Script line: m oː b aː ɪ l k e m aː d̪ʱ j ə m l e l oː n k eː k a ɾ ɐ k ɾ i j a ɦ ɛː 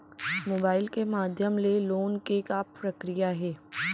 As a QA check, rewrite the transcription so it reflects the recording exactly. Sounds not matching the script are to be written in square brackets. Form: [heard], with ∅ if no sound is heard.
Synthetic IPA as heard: m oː b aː ɪ l k e m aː d̪ʱ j ə m l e l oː n k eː k a ɾ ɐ k ɾ i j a ɦ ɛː